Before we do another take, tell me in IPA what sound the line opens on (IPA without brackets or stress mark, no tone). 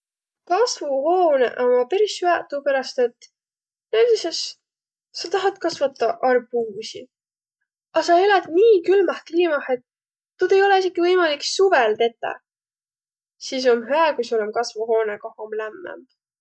k